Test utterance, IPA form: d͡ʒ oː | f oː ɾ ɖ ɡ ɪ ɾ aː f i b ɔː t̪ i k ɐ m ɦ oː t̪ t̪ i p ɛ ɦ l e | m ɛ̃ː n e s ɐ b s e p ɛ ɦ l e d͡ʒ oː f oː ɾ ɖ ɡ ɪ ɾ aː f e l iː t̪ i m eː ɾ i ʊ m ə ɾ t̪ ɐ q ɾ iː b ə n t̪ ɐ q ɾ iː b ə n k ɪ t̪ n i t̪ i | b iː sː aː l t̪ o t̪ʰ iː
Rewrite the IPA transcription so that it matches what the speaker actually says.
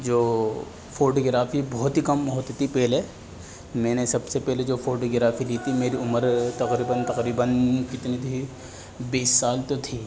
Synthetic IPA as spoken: d͡ʒ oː | f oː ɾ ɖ ɡ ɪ ɾ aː f i b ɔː t̪ i k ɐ m ɦ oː t̪ t̪ i p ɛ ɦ l e | m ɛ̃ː n e s ɐ b s e p ɛ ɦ l e d͡ʒ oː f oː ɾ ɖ ɡ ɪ ɾ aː f i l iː t̪ i m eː ɾ i ʊ m ə ɾ t̪ ɐ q ɾ iː b ə n t̪ ɐ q ɾ iː b ə n k ɪ t̪ n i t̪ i | b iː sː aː l t̪ o t̪ʰ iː